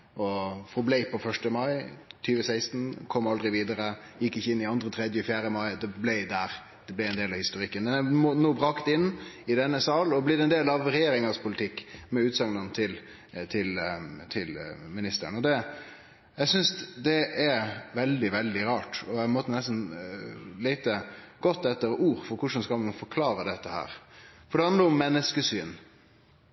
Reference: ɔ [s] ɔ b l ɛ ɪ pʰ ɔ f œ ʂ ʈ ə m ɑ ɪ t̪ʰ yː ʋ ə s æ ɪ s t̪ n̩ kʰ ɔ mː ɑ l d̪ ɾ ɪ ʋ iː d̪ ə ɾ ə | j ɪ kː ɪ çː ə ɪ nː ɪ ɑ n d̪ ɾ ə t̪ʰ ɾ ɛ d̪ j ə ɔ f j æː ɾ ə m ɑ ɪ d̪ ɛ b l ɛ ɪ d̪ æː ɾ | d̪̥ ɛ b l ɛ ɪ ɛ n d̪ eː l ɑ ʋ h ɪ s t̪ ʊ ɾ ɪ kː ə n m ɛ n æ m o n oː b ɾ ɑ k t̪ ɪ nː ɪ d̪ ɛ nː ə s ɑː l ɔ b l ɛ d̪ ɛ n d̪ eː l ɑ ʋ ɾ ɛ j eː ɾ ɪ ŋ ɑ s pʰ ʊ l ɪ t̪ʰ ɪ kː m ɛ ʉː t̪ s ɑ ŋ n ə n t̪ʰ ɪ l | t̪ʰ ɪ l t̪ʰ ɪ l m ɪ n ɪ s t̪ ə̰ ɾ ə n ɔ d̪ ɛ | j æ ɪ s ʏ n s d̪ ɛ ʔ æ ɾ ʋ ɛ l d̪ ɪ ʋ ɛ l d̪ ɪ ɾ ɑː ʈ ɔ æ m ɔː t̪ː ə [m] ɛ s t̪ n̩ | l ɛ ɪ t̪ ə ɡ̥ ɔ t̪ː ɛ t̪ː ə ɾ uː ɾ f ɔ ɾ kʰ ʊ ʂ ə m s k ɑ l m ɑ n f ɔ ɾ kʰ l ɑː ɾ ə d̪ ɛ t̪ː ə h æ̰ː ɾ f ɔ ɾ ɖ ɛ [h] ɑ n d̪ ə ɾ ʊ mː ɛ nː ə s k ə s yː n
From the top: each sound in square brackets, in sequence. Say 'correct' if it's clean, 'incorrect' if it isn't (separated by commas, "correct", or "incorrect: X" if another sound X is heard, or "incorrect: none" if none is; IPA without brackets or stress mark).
incorrect: f, incorrect: n, correct